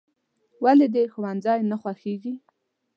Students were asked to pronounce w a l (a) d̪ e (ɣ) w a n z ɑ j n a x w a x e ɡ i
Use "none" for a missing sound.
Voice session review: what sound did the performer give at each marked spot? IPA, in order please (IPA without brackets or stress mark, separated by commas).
e, x